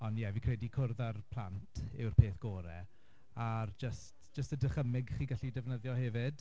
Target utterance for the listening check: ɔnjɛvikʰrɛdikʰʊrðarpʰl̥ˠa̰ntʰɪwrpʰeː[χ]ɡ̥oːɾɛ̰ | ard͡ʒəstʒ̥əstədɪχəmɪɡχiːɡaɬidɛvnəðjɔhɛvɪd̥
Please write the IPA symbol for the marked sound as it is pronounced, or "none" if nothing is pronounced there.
θ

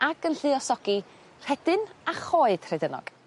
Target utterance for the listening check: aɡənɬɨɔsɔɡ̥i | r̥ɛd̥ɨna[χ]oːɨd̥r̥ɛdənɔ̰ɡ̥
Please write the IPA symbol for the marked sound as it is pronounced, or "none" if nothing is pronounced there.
χ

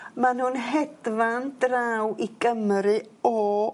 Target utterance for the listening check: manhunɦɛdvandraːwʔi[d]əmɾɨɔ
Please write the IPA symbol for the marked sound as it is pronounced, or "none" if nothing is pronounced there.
ɡ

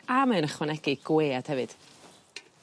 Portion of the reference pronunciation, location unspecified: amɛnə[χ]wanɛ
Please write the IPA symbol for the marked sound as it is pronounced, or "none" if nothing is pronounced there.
χ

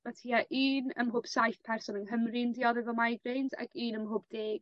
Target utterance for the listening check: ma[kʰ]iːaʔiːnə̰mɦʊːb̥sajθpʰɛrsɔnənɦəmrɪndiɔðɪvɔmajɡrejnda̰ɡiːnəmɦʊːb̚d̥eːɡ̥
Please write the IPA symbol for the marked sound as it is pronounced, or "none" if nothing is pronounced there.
tʰ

